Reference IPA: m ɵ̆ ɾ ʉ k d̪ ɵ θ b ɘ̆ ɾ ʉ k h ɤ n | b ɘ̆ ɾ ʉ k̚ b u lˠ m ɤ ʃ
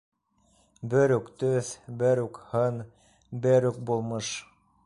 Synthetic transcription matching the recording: b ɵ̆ ɾ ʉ k t̪ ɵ θ b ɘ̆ ɾ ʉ k h ɤ n | b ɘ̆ ɾ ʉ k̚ b u lˠ m ɤ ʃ